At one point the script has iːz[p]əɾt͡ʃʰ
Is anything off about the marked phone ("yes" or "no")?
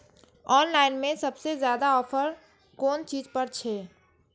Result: no